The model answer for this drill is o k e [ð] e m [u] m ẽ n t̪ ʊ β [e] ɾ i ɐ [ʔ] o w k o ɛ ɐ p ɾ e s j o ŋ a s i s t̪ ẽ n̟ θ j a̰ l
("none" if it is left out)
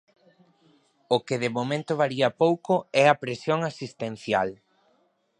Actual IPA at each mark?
ð, o, a, p

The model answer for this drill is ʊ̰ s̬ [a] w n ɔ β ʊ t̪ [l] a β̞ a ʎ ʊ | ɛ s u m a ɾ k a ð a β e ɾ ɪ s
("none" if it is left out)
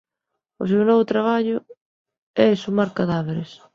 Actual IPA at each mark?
e, ɾ

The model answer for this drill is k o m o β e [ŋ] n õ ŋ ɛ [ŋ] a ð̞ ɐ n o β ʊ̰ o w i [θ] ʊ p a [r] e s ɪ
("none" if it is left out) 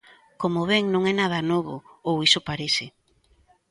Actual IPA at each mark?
ŋ, n, s, ɾ

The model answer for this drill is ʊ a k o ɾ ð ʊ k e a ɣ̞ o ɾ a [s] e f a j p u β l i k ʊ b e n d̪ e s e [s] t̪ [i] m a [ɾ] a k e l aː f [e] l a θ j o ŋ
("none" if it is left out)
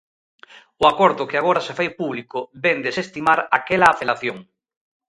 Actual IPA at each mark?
s, s, i, ɾ, e

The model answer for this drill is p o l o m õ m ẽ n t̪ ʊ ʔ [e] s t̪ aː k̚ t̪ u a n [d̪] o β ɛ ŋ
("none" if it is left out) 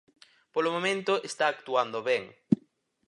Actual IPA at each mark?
e, d̪

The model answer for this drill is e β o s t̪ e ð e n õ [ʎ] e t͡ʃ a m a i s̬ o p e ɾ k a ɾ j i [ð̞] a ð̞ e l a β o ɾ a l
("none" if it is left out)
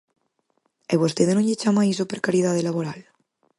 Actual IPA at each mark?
ʎ, ð̞

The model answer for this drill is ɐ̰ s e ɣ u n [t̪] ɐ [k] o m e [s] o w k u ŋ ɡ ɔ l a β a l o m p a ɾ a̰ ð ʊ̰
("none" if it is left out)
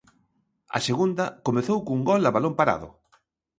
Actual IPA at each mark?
d̪, k, θ

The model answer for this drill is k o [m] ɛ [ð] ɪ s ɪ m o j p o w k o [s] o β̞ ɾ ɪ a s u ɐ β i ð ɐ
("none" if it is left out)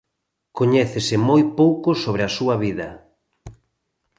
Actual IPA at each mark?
ɲ, θ, s

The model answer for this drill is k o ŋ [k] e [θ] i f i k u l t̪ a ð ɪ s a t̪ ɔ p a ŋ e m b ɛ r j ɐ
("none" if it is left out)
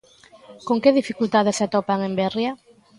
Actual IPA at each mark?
k, ð

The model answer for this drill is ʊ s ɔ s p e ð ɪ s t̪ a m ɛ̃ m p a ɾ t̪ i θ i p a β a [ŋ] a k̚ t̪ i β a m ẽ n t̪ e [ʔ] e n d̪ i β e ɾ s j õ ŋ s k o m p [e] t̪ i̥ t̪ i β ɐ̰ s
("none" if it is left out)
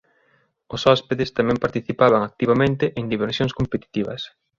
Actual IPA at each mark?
ŋ, ʔ, e

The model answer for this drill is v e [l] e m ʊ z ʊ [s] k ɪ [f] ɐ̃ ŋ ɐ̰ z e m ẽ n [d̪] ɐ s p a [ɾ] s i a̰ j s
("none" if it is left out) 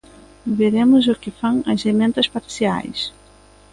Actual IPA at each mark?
ɾ, none, f, t̪, ɾ

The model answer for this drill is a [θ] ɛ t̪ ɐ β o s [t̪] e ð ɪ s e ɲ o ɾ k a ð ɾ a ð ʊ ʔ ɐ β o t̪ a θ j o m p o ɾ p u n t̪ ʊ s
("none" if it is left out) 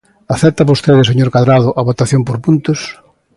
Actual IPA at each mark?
θ, t̪

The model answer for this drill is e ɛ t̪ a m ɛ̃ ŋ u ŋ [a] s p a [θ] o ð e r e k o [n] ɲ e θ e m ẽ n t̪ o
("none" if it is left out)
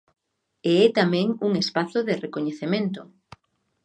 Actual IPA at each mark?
e, θ, none

